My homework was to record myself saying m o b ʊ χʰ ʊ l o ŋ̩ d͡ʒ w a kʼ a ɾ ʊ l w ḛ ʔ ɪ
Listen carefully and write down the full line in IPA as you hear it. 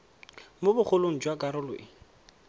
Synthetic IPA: m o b ʊ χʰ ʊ l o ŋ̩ d͡ʒ w a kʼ a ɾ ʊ l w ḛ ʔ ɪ